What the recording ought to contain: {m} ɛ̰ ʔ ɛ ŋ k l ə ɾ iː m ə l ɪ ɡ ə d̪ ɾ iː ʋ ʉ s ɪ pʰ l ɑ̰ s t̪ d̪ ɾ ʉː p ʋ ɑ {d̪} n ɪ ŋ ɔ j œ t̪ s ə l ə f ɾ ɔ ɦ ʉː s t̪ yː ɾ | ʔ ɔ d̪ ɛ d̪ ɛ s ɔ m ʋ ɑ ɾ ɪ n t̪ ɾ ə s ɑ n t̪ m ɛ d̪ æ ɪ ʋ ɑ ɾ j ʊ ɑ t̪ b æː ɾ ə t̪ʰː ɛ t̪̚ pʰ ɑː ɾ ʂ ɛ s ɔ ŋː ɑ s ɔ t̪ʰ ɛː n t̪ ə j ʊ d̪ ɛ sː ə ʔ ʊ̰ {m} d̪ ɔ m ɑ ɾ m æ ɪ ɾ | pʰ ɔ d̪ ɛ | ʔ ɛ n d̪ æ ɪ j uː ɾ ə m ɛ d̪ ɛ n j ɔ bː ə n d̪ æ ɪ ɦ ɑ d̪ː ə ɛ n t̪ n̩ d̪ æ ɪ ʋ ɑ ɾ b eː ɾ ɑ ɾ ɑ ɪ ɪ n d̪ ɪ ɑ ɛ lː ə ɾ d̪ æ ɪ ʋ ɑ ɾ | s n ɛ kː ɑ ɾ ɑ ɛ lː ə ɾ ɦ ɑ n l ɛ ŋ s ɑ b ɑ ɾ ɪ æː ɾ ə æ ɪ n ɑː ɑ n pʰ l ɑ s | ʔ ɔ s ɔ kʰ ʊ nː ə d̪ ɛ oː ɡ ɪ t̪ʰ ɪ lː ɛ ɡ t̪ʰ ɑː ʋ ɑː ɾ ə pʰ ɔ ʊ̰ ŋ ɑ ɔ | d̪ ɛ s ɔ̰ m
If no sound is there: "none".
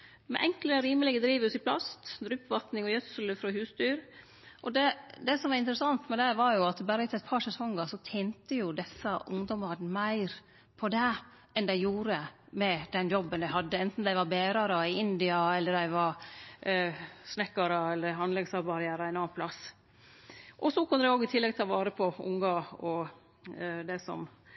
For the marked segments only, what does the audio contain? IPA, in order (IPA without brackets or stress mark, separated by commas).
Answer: m, t̪, ŋ